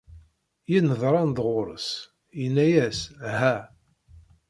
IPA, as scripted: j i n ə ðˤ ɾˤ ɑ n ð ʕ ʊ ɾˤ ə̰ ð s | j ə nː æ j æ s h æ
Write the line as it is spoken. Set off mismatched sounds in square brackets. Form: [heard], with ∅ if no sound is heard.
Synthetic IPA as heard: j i n ə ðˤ ɾˤ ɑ n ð [ʁ] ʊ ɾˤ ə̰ [∅] s | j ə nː æ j æ s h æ

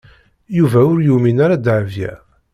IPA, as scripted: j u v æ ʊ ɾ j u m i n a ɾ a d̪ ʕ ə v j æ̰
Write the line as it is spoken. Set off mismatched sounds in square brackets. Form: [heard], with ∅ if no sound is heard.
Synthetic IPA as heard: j u v æ ʊ ɾ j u m i n a ɾ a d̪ ʕ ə v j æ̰

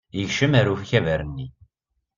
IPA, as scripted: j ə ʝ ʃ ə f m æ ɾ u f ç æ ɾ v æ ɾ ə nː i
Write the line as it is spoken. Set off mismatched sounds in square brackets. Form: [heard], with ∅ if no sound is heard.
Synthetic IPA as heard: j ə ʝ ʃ ə [∅] m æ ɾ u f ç æ [∅] v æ ɾ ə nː i

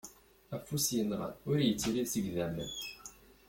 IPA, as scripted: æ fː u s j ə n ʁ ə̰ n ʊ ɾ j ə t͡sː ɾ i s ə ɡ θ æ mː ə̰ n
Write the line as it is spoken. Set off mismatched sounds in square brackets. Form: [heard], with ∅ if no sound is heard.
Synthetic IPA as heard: æ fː u s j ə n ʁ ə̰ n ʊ ɾ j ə t͡sː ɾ i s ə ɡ [ð] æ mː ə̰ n

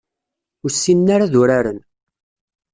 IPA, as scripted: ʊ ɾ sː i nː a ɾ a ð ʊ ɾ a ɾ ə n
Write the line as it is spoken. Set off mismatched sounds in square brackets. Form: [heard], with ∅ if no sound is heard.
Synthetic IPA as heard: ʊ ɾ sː i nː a ɾ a ð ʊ ɾ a ɾ ə n

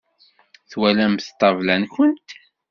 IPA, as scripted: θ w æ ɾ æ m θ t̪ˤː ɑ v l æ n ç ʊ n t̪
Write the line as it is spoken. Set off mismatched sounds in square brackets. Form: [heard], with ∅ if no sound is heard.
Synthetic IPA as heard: θ w æ [l] æ m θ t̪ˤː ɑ v l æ n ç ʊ n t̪

